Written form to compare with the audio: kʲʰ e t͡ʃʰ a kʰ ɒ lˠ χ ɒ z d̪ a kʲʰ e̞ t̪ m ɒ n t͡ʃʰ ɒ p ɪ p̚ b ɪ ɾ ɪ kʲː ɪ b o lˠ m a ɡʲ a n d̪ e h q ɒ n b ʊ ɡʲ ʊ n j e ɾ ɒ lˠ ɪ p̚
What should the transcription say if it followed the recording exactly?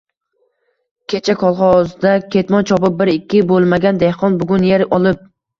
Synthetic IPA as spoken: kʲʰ e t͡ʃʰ a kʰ ɒ lˠ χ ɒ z d̪ a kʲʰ e̞ t̪ m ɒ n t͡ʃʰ ɒ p ɪ p̚ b ɪ ɾ ɪ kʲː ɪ b o lˠ m a ɡʲ a n d̪ e h q ɒ n b ʊ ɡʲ ʊ n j e ɾ ɒ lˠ ɪ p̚